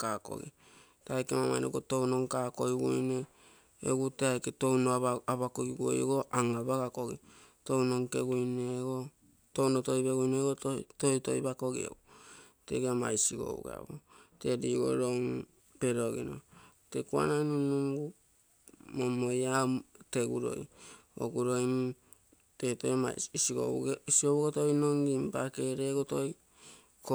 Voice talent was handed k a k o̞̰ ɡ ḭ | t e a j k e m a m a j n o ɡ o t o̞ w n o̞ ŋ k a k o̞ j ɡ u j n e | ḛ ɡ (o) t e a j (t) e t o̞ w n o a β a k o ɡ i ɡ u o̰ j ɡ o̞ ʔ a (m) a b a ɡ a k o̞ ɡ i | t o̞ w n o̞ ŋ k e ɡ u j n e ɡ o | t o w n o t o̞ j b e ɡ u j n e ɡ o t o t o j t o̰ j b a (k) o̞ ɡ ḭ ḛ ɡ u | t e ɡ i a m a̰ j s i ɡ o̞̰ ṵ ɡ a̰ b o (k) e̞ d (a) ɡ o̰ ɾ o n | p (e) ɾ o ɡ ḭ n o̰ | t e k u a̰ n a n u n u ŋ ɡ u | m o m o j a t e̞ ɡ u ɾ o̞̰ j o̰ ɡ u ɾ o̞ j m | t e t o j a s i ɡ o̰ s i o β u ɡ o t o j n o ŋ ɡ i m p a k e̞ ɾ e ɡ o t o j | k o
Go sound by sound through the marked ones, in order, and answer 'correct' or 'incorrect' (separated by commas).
incorrect, incorrect, incorrect, correct, incorrect, incorrect, correct